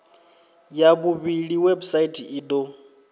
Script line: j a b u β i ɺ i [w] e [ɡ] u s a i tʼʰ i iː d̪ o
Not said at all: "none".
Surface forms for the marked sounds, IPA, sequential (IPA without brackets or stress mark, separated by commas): w, b